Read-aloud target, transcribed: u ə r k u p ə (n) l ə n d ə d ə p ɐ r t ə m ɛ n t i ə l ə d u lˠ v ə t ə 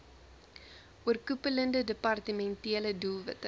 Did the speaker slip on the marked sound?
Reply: yes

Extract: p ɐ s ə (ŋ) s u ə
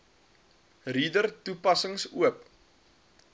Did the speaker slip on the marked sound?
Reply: no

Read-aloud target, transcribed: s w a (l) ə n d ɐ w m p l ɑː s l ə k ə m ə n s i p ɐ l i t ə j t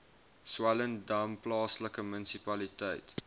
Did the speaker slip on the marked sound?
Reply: no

